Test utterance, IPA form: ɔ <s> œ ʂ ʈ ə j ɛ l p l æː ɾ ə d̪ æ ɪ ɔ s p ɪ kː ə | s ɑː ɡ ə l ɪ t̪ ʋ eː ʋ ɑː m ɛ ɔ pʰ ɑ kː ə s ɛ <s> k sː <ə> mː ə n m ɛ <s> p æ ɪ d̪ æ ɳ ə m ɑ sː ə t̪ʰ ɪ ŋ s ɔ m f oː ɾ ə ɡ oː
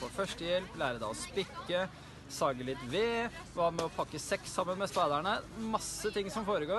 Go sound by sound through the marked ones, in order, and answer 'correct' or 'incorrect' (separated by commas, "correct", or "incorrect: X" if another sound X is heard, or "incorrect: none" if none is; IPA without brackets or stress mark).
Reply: incorrect: f, incorrect: none, incorrect: ɑ, correct